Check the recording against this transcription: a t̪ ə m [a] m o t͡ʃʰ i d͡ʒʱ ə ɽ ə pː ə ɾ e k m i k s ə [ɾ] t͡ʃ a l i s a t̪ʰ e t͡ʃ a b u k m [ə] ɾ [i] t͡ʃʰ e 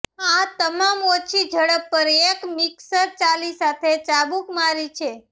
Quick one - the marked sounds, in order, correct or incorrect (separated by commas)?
correct, correct, incorrect, correct